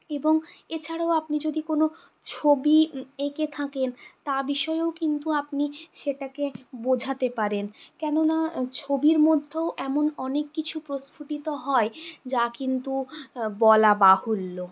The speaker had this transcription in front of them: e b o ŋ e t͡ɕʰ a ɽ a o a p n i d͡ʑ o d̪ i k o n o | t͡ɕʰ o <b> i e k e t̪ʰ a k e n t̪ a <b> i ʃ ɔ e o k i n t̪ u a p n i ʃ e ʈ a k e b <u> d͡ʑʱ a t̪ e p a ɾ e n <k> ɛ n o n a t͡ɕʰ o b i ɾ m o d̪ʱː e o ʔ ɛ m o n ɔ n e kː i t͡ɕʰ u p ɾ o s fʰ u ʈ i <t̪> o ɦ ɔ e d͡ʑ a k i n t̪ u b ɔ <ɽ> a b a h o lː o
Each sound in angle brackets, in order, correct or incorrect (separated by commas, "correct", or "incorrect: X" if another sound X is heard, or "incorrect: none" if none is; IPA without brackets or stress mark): correct, correct, incorrect: o, correct, correct, incorrect: l